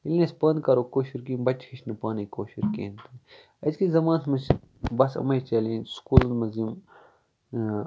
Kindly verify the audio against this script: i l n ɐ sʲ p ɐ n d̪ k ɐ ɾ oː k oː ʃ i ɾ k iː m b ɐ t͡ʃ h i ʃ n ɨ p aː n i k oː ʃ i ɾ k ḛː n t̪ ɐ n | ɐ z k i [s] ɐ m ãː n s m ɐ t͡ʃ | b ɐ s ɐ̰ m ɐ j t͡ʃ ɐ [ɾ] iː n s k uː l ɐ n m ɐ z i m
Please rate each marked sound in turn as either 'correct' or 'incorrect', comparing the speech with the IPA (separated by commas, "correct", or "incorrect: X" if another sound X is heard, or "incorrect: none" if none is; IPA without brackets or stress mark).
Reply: incorrect: z, incorrect: l